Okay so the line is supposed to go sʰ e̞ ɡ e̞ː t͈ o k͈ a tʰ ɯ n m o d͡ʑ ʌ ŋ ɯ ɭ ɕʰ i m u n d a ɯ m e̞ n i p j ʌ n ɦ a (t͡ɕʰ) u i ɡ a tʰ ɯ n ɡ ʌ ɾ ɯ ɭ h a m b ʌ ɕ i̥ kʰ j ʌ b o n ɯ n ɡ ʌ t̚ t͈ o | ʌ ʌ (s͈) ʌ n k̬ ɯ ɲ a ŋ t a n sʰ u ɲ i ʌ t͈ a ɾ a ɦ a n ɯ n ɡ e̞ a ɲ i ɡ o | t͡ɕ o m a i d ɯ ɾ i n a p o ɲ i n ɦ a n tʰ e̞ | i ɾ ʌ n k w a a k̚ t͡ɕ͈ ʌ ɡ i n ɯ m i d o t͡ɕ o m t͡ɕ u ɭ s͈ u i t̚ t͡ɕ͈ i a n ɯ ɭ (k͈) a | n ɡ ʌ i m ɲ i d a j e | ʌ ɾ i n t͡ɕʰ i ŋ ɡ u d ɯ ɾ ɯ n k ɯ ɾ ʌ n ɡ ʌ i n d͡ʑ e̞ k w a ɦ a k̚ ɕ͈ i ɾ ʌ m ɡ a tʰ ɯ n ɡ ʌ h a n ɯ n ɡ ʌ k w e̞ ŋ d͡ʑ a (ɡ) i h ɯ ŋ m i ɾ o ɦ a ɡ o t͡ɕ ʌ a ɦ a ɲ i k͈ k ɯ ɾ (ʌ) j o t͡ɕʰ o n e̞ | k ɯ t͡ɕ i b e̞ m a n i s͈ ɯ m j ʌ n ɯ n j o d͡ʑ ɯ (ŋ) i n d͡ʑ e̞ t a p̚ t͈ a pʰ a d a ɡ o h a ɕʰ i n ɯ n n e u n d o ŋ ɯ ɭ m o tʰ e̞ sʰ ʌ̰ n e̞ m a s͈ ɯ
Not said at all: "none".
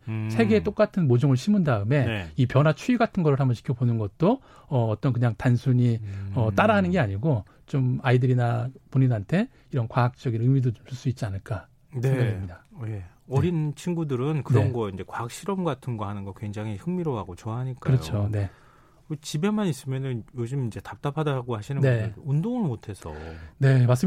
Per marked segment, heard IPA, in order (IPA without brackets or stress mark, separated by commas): t͡ɕʰ, t͈, k͈, ŋ, ʌ, m